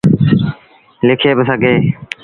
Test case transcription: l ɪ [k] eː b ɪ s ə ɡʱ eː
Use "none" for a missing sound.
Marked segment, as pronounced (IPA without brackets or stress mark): kʰ